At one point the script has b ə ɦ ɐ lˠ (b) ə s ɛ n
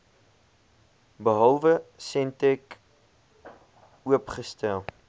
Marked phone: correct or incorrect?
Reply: incorrect